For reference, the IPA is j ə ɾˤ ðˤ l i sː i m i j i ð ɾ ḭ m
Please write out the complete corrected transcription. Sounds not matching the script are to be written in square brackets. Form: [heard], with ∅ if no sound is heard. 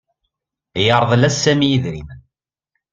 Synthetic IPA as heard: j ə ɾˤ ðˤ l [æ] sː [æ] m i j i ð ɾ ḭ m